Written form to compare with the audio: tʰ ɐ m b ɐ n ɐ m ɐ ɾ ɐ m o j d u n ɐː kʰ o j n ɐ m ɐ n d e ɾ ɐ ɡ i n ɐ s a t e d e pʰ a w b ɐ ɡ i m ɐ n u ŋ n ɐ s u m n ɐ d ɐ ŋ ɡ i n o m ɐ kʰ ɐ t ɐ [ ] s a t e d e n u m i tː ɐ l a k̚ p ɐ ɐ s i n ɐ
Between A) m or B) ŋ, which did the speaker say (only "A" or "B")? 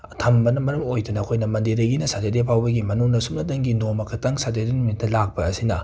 B